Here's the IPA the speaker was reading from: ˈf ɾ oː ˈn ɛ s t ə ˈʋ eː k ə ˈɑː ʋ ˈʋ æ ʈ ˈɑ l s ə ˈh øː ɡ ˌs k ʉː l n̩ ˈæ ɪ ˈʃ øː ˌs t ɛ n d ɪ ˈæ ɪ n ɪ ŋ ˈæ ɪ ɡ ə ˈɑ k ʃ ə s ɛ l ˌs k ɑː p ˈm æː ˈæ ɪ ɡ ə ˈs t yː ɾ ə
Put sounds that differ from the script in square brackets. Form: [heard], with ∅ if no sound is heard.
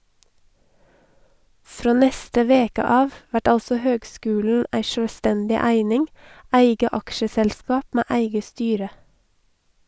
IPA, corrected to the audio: ˈf ɾ oː ˈn ɛ s t ə ˈʋ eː k ə ˈɑː ʋ ˈʋ æ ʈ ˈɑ l s ə ˈh øː ɡ ˌs k ʉː l n̩ ˈæ ɪ ˈʃ øː ˌs t ɛ n d ɪ ˈæ ɪ n ɪ ŋ ˈæ ɪ ɡ ə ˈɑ k ʃ ə s ɛ l ˌs k ɑː p ˈm æː ˈæ ɪ ɡ ə ˈs t yː ɾ ə